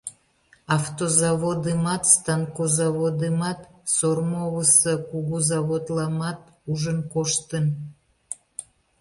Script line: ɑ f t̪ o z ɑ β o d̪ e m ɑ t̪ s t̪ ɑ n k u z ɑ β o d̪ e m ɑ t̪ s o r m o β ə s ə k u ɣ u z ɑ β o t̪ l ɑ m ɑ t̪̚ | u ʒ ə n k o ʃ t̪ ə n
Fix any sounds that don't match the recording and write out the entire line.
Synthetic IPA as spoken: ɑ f t̪ o z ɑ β o d̪ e m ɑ t̪ s t̪ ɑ n k o z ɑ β o d̪ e m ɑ t̪ s o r m o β ə s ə k u ɣ u z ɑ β o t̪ l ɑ m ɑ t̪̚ | u ʒ ə n k o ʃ t̪ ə n